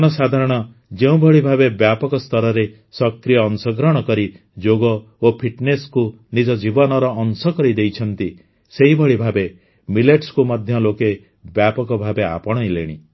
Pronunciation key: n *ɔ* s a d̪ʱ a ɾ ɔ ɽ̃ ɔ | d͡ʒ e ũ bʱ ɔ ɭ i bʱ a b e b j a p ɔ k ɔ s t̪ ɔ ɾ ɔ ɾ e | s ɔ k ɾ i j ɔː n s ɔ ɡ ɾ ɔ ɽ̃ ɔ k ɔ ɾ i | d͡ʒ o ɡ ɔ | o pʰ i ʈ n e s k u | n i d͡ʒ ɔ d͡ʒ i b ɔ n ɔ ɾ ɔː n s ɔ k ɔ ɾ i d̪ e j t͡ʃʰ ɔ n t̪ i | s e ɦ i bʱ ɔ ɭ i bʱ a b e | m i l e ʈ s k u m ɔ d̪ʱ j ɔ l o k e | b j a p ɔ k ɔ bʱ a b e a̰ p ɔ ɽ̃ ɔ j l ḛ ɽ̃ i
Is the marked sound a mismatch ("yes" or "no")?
no